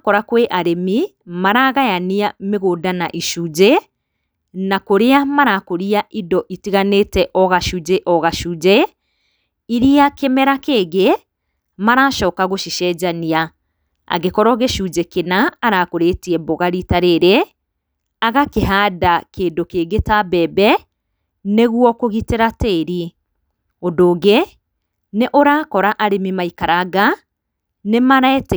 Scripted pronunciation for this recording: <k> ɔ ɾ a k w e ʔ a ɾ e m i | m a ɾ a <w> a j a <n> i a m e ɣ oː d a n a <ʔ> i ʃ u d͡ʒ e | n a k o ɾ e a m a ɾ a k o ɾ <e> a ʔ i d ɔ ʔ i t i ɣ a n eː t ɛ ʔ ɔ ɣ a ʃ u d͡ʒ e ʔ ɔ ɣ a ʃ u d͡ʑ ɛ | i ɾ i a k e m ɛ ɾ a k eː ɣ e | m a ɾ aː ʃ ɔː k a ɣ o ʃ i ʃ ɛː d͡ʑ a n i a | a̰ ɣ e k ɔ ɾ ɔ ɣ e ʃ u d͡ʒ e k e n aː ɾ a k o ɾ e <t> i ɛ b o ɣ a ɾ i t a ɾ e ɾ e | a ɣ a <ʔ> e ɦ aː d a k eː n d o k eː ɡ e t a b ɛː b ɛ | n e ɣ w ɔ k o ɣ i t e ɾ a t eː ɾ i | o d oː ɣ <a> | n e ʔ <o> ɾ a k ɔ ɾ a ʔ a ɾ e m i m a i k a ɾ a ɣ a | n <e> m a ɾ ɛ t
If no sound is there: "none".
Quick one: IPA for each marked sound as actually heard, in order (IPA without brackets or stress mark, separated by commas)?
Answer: k, ɣ, n, ʔ, i, t, k, e, o, e